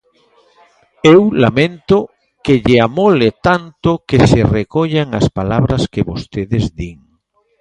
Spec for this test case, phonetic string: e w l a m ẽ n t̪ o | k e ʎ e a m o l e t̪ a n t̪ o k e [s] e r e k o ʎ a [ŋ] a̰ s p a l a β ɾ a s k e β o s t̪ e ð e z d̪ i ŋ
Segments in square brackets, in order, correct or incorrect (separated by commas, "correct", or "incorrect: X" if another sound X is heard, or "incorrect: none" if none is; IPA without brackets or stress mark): correct, correct